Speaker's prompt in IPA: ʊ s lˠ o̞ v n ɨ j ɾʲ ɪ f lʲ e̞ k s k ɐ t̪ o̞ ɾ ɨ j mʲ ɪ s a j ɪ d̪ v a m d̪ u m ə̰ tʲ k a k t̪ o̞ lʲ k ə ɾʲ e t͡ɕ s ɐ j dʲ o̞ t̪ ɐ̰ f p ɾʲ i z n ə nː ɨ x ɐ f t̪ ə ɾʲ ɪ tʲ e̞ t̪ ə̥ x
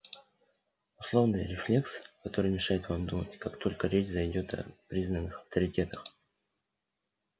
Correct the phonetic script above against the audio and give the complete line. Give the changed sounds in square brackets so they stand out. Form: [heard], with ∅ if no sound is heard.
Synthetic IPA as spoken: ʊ s lˠ o̞ v n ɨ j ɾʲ ɪ f lʲ e̞ k s k ɐ t̪ o̞ ɾ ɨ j mʲ ɪ [ʂ] a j ɪ [t̪] v a m d̪ u m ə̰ tʲ k a k t̪ o̞ lʲ k ə ɾʲ e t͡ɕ [z] ɐ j dʲ o̞ t̪ ɐ̰ [∅] p ɾʲ i z n ə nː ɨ x ɐ f t̪ ə ɾʲ ɪ tʲ e̞ t̪ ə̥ x

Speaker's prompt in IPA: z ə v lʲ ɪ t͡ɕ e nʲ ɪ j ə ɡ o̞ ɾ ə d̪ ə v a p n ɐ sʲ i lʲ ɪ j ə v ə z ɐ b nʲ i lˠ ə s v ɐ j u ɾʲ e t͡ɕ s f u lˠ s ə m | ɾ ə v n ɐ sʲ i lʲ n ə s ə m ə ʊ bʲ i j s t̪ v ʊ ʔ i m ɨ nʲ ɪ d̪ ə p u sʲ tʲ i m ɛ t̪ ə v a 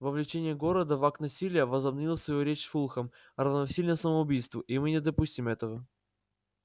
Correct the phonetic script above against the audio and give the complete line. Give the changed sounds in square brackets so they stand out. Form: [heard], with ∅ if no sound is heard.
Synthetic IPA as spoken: [v] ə v lʲ ɪ t͡ɕ e nʲ ɪ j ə ɡ o̞ ɾ ə d̪ ə v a [k] n ɐ sʲ i lʲ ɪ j ə v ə z ɐ b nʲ i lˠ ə s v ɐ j u ɾʲ e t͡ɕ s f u lˠ [x] ə m | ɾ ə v n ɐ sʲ i lʲ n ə s ə m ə ʊ bʲ i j s t̪ v ʊ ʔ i m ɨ nʲ ɪ d̪ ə p u sʲ tʲ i m ɛ t̪ ə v [ə]

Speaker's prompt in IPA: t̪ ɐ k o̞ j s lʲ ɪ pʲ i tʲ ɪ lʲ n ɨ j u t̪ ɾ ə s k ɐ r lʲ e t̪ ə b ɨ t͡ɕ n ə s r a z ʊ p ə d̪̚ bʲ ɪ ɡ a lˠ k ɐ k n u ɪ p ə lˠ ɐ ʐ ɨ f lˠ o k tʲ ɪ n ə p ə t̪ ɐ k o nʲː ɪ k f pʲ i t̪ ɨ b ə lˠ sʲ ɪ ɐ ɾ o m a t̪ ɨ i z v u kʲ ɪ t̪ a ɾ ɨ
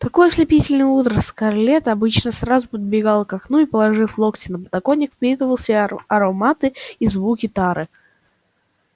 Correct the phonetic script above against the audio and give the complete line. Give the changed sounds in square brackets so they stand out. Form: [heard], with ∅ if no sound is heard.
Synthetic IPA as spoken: t̪ ɐ k o̞ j s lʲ ɪ pʲ i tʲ ɪ lʲ n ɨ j u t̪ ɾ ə s k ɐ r lʲ e t̪ [ɐ] b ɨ t͡ɕ n ə s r a z ʊ p ə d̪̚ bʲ ɪ ɡ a lˠ k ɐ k n u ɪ p ə lˠ ɐ ʐ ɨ f lˠ o k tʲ ɪ n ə p ə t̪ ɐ k o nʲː ɪ k f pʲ i t̪ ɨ [v] ə lˠ sʲ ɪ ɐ ɾ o m a t̪ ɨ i z v u kʲ ɪ t̪ a ɾ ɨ

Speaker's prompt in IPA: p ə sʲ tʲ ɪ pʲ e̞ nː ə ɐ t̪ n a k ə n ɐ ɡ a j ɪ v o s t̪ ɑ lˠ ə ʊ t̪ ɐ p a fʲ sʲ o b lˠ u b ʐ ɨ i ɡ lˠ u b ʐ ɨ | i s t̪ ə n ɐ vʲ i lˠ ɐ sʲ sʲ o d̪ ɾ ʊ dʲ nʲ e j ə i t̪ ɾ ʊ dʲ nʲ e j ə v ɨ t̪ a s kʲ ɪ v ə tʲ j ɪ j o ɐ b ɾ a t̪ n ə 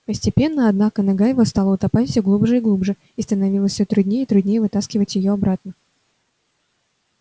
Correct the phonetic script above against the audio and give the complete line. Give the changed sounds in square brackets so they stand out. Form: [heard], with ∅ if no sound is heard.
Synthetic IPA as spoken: p ə sʲ tʲ ɪ pʲ e̞ nː ə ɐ [d̪] n a k ə n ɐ ɡ a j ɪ v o s t̪ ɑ lˠ ə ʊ t̪ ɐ p a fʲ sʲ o [ɡ] lˠ u b ʐ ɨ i ɡ lˠ u b ʐ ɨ | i s t̪ ə n ɐ vʲ i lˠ [ə] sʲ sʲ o [t̪] ɾ ʊ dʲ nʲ e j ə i t̪ ɾ ʊ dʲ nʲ e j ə v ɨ t̪ a s kʲ ɪ v ə tʲ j ɪ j o ɐ b ɾ a t̪ n ə

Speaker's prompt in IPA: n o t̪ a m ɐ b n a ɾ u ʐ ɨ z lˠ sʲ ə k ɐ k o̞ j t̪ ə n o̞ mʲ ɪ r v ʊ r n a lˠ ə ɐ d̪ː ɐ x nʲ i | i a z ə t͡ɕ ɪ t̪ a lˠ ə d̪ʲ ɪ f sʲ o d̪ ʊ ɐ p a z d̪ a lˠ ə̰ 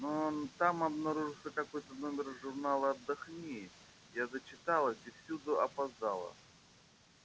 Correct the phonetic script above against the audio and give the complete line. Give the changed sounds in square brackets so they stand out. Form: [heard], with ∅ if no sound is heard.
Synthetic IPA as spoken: n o t̪ a m ɐ b n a ɾ u ʐ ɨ [∅] lˠ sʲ ə k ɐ k o̞ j t̪ ə n o̞ mʲ ɪ r [ʐ] ʊ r n a lˠ ə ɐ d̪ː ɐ x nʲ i | [j] a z ə t͡ɕ ɪ t̪ a lˠ ə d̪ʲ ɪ f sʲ [u] d̪ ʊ ɐ p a z d̪ a lˠ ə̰

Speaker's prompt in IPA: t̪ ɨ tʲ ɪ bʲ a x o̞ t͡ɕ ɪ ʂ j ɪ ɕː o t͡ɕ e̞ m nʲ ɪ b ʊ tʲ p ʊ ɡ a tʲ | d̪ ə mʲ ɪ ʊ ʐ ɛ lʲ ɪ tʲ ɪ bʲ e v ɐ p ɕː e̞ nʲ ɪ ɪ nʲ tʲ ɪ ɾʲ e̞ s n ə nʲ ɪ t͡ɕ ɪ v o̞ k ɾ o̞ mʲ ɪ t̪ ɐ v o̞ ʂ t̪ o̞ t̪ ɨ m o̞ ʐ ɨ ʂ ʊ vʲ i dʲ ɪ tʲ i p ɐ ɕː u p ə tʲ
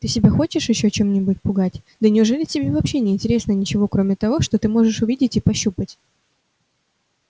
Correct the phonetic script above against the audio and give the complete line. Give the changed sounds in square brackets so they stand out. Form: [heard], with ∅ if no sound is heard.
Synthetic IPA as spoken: t̪ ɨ [sʲ] ɪ bʲ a x o̞ t͡ɕ ɪ ʂ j ɪ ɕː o t͡ɕ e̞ m nʲ ɪ b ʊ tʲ p ʊ ɡ a tʲ | d̪ ə [nʲ] ɪ ʊ ʐ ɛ lʲ ɪ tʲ ɪ bʲ e v ɐ p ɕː e̞ nʲ ɪ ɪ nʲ tʲ ɪ ɾʲ e̞ s n ə nʲ ɪ t͡ɕ ɪ v o̞ k ɾ o̞ mʲ ɪ t̪ ɐ v o̞ ʂ t̪ o̞ t̪ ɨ m o̞ ʐ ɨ ʂ ʊ vʲ i dʲ ɪ tʲ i p ɐ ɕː u p ə tʲ

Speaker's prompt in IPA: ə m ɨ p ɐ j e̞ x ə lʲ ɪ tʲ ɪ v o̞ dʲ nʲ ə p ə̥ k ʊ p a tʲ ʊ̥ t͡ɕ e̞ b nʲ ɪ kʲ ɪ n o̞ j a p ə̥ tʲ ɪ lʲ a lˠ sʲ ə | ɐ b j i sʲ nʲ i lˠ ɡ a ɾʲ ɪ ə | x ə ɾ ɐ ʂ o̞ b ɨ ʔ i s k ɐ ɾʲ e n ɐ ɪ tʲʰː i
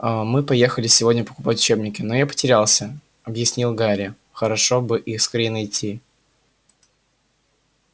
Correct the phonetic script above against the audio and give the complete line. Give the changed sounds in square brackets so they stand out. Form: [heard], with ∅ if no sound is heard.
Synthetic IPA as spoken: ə m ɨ p ɐ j e̞ x ə lʲ ɪ [sʲ] ɪ v o̞ dʲ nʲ ə p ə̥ k ʊ p a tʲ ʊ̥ t͡ɕ e̞ b nʲ ɪ kʲ ɪ n o̞ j a p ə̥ tʲ ɪ [ɾʲ] a lˠ sʲ ə | ɐ b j [ɪ] sʲ nʲ i lˠ ɡ a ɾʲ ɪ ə | x ə ɾ ɐ ʂ o̞ b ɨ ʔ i s k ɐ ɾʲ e n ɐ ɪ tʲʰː i

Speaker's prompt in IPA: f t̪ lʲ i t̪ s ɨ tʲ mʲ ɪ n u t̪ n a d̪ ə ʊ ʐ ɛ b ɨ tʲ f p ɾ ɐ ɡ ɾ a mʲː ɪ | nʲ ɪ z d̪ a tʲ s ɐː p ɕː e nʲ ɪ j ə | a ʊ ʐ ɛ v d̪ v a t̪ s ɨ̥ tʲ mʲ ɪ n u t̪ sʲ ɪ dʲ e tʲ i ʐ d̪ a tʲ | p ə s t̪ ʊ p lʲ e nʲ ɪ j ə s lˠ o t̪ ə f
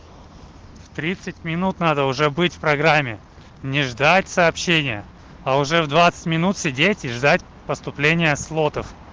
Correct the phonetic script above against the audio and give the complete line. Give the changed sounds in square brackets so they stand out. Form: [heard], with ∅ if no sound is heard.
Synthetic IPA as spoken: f t̪ [ɾʲ] i t̪ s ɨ tʲ mʲ ɪ n u t̪ n a d̪ ə ʊ ʐ ɛ b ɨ tʲ f p ɾ ɐ ɡ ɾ a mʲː ɪ | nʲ ɪ [ʐ] d̪ a tʲ s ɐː p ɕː e nʲ ɪ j ə | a ʊ ʐ ɛ v d̪ v a t̪ s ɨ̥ tʲ mʲ ɪ n u t̪ sʲ ɪ dʲ e tʲ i ʐ d̪ a tʲ | p ə s t̪ ʊ p lʲ e nʲ ɪ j ə s lˠ o t̪ ə f

